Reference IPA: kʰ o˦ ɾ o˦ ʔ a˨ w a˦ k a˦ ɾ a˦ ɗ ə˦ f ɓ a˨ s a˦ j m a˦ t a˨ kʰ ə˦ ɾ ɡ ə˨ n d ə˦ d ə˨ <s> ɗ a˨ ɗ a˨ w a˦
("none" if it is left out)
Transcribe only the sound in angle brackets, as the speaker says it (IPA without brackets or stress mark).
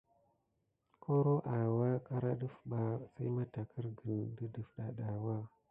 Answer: f